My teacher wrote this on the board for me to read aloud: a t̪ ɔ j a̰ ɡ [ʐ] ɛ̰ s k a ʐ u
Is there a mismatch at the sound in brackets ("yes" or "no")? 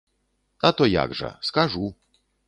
no